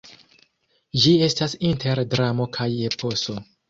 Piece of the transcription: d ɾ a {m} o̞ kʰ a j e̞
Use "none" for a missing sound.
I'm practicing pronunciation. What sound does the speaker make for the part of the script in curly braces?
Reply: m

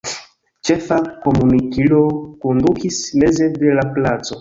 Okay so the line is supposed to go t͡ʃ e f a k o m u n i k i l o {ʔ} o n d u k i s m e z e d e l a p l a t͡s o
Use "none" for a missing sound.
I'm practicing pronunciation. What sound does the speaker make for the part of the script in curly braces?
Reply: k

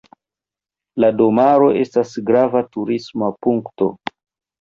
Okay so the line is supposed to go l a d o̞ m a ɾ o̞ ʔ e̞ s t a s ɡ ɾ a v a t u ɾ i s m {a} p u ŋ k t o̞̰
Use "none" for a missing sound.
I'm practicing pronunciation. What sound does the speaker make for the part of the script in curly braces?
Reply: a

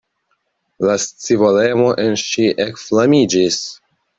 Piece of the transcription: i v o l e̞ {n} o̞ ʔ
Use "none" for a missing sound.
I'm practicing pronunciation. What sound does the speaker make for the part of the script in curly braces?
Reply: m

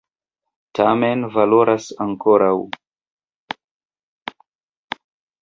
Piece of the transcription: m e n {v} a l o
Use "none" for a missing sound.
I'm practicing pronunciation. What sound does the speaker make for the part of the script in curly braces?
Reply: v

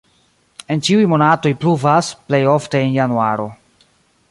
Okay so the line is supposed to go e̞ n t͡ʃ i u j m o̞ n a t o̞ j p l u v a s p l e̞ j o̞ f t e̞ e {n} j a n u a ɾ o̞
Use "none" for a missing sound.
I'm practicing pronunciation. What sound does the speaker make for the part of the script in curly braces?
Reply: n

